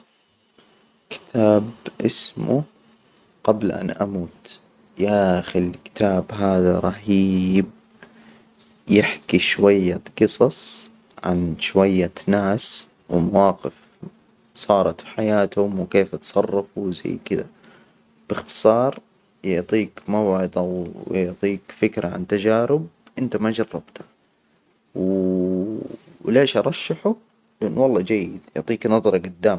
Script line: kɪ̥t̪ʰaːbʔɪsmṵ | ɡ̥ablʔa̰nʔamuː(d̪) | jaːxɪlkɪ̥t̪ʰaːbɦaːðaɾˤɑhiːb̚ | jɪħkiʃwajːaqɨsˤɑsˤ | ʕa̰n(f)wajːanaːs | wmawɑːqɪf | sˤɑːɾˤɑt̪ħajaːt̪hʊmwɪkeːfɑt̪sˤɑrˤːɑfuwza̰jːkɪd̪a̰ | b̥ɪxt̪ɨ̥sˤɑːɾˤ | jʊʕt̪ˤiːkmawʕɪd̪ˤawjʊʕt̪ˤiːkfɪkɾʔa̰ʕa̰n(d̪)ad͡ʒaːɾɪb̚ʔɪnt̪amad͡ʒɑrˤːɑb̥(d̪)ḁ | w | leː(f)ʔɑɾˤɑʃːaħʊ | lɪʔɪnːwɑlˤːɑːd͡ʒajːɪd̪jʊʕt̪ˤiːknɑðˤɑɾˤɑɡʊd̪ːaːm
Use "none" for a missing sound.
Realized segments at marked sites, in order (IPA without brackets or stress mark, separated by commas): t̪, ʃ, t̪, t̪, ʃ